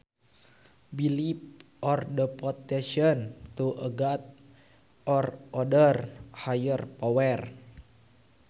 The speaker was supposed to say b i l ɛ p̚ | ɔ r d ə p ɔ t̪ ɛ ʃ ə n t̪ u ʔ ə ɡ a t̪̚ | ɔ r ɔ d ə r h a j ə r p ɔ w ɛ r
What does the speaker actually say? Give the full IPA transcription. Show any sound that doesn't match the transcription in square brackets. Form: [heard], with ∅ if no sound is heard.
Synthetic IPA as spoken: b i l [i] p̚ | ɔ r d ə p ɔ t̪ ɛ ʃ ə n t̪ u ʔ ə ɡ a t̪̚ | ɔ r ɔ d ə r h a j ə r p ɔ w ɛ r